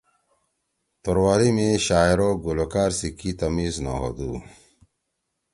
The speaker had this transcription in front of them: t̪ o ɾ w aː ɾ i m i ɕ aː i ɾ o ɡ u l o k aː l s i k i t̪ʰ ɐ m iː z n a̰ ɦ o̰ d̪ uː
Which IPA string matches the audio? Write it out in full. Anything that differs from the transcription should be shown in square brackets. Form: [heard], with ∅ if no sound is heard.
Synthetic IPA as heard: t̪ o ɾ w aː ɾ i m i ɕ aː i ɾ o ɡ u l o k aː [ɾ] s i k i [t̪] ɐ m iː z n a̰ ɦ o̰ d̪ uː